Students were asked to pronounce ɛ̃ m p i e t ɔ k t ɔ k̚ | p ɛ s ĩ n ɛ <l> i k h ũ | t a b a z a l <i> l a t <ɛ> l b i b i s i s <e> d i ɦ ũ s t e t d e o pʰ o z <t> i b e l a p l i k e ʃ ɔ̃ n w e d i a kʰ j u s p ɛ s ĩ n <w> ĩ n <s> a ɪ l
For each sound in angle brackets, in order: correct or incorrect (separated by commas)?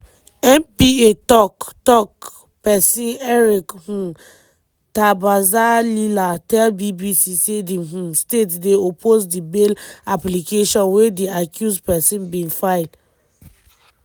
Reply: incorrect, correct, correct, correct, incorrect, incorrect, incorrect